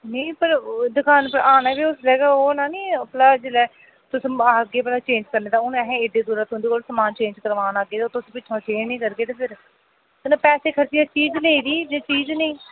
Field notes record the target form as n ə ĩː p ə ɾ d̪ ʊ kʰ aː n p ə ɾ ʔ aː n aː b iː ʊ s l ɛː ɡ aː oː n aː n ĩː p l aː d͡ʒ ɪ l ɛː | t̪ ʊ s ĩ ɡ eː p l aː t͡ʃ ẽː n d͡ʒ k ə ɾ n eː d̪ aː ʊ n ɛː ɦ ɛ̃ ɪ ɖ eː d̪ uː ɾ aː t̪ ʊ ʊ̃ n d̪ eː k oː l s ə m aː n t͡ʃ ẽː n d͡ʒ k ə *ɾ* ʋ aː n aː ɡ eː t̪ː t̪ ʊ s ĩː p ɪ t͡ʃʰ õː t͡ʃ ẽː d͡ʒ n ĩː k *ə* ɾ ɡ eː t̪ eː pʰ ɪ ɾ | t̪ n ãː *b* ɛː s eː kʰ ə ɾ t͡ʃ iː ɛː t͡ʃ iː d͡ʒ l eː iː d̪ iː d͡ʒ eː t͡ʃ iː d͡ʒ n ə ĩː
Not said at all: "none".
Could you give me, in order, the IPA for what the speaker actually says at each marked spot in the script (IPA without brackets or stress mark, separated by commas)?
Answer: ɾ, ə, p